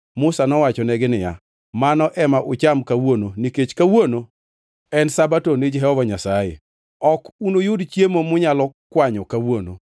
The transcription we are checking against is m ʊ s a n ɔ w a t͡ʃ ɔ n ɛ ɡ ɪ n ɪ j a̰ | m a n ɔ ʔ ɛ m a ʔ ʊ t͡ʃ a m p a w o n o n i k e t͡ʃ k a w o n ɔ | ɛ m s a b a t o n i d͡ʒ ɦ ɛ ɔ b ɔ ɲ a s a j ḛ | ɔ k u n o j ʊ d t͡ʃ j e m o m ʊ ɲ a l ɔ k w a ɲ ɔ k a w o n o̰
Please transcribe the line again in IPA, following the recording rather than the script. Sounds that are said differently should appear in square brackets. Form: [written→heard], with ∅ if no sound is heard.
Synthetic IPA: m ʊ s a n ɔ w a t͡ʃ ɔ n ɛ ɡ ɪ n ɪ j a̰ | m a n ɔ ʔ ɛ m a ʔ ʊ t͡ʃ a m [p→k] a w o n o n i k e t͡ʃ k a w o n [ɔ→o] | ɛ [m→n] s a b a t o n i d͡ʒ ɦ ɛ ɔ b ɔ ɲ a s a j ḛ | ɔ k u n o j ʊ d t͡ʃ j e m o m ʊ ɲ a l ɔ k w a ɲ ɔ k a w o n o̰